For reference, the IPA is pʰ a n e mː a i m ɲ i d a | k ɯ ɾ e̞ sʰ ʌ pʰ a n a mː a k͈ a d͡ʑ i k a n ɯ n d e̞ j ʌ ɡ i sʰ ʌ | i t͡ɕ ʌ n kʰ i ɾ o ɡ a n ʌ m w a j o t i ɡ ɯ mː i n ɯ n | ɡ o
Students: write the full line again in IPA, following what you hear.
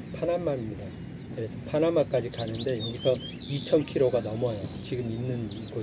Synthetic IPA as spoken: pʰ a n a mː a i m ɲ i d a | k ɯ ɾ e̞ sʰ ʌ pʰ a n a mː a k͈ a d͡ʑ i k a n ɯ n d e̞ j ʌ ɡ i sʰ ʌ | i t͡ɕʰ ʌ n kʰ i ɾ o ɡ a n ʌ m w ʌ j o t͡ɕ i ɡ ɯ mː i nː ɯ n | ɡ o